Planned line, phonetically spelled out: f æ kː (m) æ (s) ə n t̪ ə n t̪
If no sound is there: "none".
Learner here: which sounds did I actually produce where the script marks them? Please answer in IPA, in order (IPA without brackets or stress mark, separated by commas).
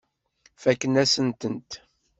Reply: n, s